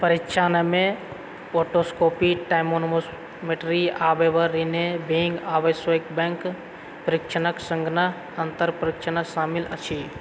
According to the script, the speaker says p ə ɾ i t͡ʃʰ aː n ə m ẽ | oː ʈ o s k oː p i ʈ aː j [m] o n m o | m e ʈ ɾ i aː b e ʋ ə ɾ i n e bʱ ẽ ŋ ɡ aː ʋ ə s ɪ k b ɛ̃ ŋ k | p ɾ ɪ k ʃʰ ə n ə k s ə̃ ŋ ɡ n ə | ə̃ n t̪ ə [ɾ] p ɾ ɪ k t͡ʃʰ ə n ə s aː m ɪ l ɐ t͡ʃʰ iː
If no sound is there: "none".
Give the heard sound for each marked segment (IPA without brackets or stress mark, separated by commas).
m, ɾ